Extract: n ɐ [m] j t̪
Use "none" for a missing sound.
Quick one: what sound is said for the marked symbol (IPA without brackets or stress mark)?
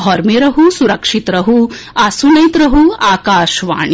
none